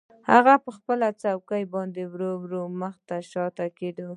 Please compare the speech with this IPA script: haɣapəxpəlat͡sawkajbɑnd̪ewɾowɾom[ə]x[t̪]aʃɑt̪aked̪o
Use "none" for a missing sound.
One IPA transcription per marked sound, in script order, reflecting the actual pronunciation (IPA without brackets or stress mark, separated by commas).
ə, t̪